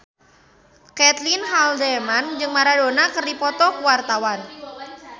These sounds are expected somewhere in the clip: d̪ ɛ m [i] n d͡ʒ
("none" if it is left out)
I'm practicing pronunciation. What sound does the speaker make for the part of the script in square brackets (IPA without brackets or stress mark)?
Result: a